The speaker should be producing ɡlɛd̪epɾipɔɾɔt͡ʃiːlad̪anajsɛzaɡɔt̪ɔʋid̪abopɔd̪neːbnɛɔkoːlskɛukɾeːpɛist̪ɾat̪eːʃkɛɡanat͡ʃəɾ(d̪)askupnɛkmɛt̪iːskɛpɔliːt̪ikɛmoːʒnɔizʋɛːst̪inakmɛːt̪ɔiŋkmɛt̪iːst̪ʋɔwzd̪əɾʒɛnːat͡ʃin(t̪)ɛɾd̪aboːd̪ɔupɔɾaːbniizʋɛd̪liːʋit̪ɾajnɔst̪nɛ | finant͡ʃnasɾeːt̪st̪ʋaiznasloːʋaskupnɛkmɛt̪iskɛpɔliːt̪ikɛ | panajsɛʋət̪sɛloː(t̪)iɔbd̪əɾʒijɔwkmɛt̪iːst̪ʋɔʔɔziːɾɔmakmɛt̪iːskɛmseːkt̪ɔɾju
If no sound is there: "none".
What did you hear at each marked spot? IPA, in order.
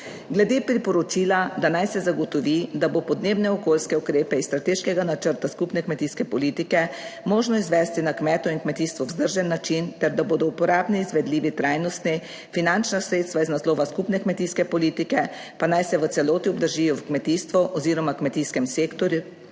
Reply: t̪, t̪, t̪

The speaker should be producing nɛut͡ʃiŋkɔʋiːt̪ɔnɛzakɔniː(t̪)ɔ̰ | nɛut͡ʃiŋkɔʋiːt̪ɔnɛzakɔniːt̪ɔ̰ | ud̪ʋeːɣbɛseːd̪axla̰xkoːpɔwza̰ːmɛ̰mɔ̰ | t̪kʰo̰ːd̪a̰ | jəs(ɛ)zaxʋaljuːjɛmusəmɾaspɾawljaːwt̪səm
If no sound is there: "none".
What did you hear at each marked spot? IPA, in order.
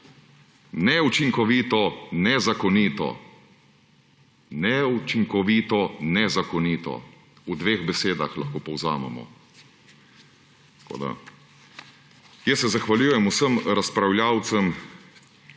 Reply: t̪, ɛ

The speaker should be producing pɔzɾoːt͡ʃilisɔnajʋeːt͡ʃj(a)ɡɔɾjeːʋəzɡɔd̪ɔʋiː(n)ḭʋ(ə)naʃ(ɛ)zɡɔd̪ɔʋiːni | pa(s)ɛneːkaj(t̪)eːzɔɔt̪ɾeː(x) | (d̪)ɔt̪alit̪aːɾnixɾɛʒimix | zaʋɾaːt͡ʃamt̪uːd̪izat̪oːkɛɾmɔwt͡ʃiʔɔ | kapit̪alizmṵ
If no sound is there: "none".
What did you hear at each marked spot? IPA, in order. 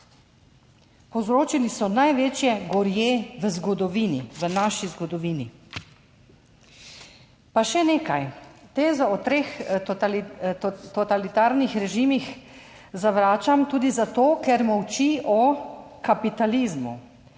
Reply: ɛ, n, ə, i, ʃ, t̪, x, t̪

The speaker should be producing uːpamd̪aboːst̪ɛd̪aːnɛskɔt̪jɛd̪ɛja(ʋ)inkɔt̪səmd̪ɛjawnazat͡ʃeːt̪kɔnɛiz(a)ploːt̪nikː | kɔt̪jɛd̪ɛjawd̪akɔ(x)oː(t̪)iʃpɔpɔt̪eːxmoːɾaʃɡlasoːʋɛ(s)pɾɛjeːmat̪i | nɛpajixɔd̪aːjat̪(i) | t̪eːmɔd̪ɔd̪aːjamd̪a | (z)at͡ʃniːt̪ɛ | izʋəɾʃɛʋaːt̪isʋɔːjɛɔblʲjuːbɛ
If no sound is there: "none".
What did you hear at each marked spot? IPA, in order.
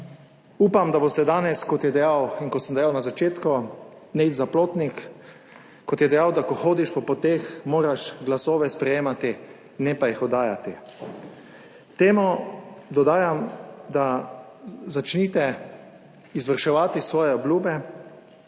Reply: w, a, x, d̪, s, i, z

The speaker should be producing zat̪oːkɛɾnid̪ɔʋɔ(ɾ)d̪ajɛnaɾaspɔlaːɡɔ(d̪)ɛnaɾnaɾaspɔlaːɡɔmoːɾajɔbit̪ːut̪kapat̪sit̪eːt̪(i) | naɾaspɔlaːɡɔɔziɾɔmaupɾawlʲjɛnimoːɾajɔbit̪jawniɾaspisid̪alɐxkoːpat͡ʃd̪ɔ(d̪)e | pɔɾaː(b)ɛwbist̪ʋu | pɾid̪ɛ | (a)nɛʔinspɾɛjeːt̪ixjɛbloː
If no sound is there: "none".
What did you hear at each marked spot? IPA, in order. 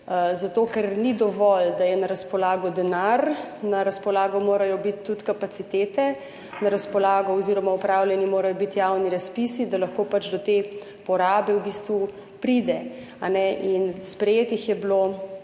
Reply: l, d̪, ɛ, t̪, b, a

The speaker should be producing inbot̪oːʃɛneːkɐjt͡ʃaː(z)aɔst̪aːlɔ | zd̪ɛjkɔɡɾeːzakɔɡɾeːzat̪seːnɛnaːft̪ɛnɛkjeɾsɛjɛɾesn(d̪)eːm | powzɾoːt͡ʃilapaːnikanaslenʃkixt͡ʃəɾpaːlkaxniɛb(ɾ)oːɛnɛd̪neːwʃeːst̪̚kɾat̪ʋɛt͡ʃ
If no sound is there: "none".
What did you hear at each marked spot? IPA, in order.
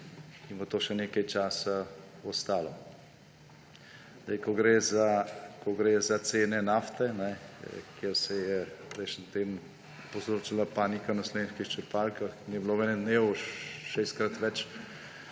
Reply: s, t̪, l

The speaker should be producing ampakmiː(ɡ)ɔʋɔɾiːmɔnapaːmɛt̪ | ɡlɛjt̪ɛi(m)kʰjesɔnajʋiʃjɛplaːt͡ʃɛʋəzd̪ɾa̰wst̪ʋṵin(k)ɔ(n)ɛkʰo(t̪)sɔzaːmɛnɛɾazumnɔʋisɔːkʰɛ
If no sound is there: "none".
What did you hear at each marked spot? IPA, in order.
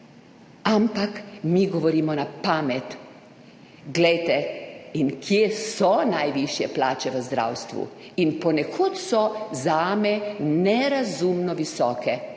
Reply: ɡ, n, p, n, t̪

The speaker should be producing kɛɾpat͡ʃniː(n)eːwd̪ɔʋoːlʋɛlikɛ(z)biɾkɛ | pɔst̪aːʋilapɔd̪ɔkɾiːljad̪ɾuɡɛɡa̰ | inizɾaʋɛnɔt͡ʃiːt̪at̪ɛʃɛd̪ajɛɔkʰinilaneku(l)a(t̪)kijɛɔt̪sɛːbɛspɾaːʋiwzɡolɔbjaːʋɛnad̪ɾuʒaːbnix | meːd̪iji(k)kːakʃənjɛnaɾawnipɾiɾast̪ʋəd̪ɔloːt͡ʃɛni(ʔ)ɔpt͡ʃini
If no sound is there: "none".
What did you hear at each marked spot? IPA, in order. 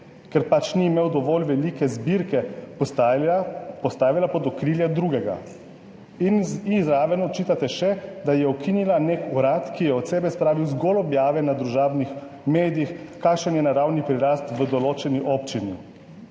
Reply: m, z, ɾ, t̪, x, ʔ

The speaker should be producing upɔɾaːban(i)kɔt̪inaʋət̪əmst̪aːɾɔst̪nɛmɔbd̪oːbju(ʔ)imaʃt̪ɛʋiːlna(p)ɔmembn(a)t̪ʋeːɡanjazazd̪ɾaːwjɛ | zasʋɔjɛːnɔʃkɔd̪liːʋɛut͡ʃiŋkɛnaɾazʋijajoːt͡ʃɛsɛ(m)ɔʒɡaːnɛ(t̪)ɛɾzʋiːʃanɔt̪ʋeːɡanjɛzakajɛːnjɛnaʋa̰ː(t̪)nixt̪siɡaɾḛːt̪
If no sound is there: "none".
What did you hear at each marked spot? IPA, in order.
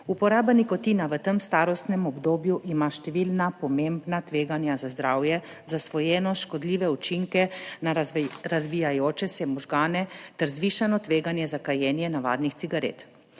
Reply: i, ʔ, p, a, m, t̪, d̪

